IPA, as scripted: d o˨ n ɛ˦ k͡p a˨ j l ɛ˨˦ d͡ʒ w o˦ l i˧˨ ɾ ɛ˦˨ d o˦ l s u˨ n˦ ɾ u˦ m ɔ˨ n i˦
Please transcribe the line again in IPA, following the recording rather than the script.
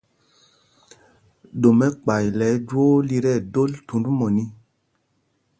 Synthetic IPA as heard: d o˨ m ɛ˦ k͡p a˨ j l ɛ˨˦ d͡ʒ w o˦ l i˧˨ ɾ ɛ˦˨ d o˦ l t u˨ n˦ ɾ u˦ m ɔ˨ n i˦